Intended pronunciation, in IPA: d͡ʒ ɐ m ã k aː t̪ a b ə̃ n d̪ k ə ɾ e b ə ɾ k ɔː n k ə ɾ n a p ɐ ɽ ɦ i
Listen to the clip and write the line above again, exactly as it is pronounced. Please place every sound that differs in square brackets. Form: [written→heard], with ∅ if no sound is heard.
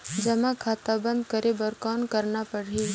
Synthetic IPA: d͡ʒ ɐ m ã [k→kʰ] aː t̪ a b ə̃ n d̪ k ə ɾ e b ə ɾ k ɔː n k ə ɾ n a p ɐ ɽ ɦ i